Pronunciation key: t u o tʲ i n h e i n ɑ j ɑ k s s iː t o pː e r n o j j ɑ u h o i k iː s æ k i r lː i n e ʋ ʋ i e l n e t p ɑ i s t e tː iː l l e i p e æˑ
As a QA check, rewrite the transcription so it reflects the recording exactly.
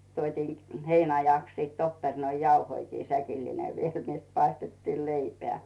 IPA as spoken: t u o tʲ iː n h e i n ɑ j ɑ k s s iː t o pː e r n o i j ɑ u h o i k iː s æ k i lː i n e ʋ ʋ i e l n e t p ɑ i s t e tː iː l l e i p e æˑ